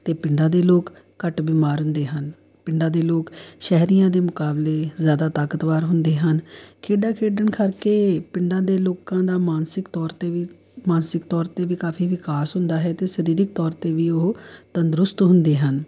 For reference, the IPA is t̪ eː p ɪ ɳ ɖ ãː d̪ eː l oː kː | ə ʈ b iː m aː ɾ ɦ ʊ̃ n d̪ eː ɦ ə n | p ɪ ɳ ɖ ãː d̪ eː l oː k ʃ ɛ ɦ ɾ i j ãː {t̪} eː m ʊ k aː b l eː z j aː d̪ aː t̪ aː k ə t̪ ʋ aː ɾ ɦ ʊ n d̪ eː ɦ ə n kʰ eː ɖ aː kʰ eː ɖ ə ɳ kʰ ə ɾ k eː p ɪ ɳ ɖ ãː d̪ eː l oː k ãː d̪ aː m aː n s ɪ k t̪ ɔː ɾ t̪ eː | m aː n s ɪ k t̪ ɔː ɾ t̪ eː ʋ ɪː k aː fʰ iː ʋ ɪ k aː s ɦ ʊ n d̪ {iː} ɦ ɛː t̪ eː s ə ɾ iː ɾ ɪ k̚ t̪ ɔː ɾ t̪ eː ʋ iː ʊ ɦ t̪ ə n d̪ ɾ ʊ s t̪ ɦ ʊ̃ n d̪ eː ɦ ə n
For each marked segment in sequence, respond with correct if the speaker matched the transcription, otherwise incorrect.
incorrect: d̪, incorrect: aː

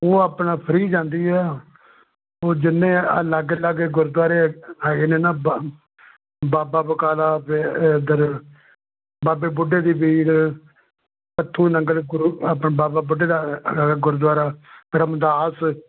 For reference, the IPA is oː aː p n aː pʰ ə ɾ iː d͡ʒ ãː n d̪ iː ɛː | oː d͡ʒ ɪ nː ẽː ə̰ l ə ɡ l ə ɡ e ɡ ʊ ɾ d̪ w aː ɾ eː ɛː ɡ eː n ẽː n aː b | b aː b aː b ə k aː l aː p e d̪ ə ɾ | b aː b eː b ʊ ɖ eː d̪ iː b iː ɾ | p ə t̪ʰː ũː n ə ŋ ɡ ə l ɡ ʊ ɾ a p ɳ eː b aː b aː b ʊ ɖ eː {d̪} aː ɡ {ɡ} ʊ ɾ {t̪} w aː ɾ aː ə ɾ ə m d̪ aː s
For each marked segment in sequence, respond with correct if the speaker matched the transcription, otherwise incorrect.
correct, correct, incorrect: d̪

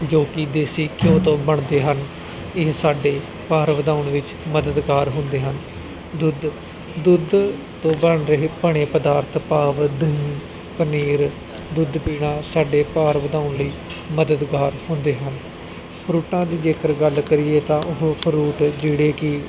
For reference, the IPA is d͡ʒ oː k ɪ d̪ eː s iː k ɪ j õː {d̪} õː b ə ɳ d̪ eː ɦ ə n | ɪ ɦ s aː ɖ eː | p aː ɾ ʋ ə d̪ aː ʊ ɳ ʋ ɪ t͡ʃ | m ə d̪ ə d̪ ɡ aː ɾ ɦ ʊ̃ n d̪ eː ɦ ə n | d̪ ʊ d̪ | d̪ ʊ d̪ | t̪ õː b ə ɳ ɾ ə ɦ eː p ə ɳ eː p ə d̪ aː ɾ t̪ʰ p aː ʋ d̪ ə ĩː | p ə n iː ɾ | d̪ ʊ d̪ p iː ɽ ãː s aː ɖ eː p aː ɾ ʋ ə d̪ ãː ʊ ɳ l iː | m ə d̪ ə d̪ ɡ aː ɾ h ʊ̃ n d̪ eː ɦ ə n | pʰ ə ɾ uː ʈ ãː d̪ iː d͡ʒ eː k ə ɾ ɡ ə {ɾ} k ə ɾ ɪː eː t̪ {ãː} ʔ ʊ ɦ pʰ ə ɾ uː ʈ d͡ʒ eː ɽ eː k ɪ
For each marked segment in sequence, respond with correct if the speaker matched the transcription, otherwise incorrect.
incorrect: t̪, incorrect: l, correct

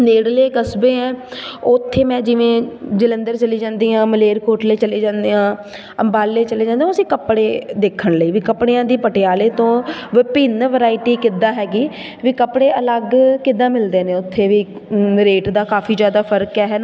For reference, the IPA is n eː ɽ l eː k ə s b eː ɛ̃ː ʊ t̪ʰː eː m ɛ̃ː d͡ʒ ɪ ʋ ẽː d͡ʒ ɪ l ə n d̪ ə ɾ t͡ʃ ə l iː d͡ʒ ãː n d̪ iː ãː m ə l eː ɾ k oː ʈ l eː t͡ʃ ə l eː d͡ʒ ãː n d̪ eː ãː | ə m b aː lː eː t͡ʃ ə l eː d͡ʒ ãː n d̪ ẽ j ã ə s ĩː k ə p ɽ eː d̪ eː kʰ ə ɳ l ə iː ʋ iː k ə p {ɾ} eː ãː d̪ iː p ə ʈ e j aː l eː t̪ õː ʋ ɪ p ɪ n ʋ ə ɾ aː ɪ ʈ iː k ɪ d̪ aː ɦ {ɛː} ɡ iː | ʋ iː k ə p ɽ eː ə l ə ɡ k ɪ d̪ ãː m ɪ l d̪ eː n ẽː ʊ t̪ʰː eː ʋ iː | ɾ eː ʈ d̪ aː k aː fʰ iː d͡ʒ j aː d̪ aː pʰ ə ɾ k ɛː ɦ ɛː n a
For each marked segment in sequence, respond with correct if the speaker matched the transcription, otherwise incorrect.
incorrect: ɽ, correct

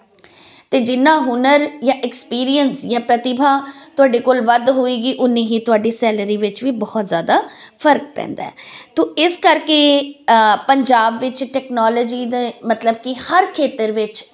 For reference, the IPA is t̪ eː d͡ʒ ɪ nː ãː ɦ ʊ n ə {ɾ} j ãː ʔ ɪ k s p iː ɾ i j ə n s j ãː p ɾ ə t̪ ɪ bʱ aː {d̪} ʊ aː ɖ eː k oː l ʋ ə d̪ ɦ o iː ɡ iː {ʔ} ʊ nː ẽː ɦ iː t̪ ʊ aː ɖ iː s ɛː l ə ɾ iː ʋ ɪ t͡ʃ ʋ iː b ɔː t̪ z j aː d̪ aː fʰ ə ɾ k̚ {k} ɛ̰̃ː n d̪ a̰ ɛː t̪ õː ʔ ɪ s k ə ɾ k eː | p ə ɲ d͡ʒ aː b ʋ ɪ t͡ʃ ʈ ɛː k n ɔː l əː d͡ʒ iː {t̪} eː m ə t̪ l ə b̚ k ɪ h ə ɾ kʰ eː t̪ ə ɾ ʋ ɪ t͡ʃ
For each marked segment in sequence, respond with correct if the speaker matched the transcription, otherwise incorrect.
correct, incorrect: t̪, correct, incorrect: p, incorrect: d̪

